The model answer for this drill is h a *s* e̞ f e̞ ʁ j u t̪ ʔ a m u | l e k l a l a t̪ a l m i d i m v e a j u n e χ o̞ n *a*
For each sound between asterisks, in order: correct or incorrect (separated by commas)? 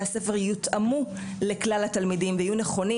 correct, incorrect